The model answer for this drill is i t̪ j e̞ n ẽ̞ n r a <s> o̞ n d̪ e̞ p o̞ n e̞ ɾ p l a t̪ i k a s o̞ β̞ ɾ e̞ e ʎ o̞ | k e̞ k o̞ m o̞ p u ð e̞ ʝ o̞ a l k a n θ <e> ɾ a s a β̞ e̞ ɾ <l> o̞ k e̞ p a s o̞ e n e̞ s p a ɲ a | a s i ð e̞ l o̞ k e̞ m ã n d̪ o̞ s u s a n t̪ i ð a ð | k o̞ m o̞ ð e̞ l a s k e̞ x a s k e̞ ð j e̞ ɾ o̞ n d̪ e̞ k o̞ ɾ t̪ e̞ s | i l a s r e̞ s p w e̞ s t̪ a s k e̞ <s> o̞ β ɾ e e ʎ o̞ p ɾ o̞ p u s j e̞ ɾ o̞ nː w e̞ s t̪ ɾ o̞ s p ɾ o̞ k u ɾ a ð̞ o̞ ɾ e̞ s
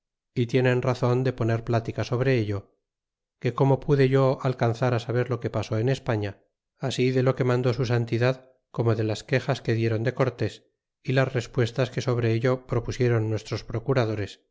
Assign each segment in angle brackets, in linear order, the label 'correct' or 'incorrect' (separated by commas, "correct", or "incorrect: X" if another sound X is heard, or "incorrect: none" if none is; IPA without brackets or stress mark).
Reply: incorrect: θ, incorrect: a, correct, correct